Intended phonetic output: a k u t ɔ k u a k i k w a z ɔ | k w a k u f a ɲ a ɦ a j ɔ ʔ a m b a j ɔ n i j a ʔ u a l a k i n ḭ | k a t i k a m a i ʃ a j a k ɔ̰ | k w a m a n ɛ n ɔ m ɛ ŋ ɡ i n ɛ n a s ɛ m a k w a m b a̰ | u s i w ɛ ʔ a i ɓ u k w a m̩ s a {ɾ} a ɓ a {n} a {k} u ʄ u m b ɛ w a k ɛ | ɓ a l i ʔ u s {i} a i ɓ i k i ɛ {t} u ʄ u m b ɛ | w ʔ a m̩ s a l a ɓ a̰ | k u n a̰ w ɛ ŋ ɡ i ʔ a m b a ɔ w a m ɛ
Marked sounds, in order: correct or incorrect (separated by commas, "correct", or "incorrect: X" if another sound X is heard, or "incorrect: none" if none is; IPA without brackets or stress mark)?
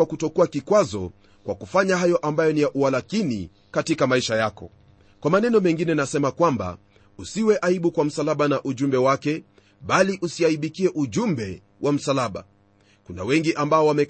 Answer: incorrect: l, correct, incorrect: ʔ, correct, incorrect: ʔ